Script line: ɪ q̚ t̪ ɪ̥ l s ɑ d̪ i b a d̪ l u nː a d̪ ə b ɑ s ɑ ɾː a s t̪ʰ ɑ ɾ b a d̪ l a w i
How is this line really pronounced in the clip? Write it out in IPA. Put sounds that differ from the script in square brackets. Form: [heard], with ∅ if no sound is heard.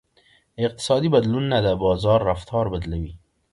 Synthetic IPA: ɪ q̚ t̪ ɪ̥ [∅] s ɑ d̪ i b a d̪ l u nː a d̪ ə b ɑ [z] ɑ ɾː a [f] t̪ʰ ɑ ɾ b a d̪ l a w i